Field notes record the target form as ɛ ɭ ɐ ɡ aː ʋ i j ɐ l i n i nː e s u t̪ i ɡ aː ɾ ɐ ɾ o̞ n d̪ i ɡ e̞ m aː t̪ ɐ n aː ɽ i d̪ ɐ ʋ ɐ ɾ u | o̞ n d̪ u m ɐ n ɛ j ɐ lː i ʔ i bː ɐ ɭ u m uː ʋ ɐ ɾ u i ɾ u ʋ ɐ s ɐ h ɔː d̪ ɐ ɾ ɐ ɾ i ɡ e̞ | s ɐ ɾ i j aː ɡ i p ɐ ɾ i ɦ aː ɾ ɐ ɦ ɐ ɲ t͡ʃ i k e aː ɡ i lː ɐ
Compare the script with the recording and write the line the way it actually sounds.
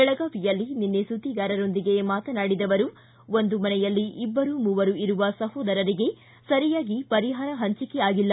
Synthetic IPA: ɛ ɭ ɐ ɡ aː ʋ i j ɐ lː i n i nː e s u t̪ i ɡ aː ɾ ɐ ɾ o̞ n d̪ i ɡ e̞ m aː t̪ ɐ n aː ɽ i d̪ ɐ ʋ ɐ ɾ u | o̞ n d̪ u m ɐ n ɛ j ɐ lː i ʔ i bː ɐ ɾ u m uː ʋ ɐ ɾ u i ɾ u ʋ ɐ s ɐ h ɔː d̪ ɐ ɾ ɐ ɾ i ɡ e̞ | s ɐ ɾ i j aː ɡ i p ɐ ɾ i ɦ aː ɾ ɐ ɦ ɐ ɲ t͡ʃ i k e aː ɡ i lː ɐ